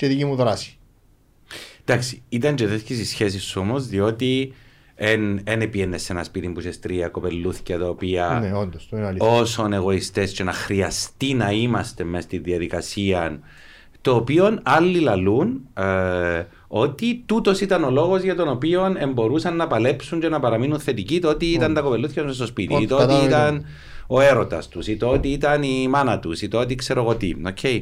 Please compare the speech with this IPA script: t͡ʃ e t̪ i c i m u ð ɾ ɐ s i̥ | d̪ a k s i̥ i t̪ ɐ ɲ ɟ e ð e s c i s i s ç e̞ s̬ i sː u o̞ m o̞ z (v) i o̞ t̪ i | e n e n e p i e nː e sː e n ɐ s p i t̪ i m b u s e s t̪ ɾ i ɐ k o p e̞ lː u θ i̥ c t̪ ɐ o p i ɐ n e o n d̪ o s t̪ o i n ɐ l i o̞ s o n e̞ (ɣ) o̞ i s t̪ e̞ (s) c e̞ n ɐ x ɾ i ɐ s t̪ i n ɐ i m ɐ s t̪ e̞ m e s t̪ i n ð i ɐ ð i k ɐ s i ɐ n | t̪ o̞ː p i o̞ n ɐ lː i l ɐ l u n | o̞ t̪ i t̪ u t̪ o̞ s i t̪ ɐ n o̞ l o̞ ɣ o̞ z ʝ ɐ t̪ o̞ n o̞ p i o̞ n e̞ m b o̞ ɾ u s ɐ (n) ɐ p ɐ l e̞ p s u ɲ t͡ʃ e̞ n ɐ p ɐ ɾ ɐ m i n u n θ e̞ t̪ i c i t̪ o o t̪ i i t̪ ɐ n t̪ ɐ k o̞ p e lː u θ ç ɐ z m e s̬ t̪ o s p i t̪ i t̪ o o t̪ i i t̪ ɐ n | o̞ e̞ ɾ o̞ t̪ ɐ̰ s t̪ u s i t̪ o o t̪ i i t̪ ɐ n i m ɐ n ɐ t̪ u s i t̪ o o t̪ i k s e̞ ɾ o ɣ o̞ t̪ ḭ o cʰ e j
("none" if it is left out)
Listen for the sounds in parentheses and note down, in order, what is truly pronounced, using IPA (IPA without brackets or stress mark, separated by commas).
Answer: ð, ɣ, s, nː